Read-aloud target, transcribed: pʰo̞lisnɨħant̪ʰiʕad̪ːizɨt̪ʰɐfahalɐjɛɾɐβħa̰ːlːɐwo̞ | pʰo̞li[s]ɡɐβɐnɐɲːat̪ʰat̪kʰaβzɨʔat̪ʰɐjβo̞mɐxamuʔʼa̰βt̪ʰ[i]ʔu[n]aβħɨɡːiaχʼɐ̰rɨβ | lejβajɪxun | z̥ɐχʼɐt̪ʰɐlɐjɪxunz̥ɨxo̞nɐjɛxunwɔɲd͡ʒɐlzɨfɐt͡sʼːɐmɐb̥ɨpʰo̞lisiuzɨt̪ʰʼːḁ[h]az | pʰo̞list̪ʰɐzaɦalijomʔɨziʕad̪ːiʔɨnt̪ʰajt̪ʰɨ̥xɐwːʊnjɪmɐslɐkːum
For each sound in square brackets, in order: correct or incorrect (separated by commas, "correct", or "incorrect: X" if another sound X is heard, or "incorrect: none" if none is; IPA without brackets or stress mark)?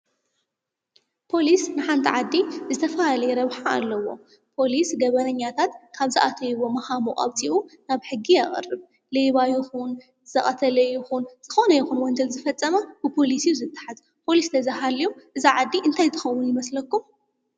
correct, correct, correct, incorrect: ħ